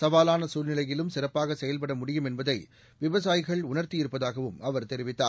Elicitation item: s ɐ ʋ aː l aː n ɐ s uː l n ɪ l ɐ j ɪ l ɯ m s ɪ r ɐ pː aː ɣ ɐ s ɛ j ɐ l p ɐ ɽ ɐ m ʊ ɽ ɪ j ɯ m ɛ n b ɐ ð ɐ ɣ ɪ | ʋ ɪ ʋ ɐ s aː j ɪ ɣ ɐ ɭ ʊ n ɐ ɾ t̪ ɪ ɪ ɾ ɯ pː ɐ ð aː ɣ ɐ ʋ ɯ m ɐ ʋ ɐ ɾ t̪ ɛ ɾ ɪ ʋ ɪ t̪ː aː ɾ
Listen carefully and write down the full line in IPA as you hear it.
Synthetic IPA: s ɐ ʋ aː l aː n ɐ s uː l n ɪ l ɐ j ɪ l ɯ m s ɪ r ɐ pː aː ɣ ɐ s ɛ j ɐ l p ɐ ɽ ɐ m ʊ ɽ ɪ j ɯ m ɛ n b ɐ ð ɐ ɪ | ʋ ɪ ʋ ɐ s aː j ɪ ɣ ɐ ɭ ʊ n ɐ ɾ t̪ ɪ ɪ ɾ ɯ pː ɐ ð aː ɣ ɐ ʋ ɯ m ɐ ʋ ɐ ɾ t̪ ɛ ɾ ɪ ʋ ɪ t̪ː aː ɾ